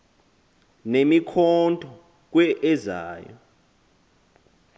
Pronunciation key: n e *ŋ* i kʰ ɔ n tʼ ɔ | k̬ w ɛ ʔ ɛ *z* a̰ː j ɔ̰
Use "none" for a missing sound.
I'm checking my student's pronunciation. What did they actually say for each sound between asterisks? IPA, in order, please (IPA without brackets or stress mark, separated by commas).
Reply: m, z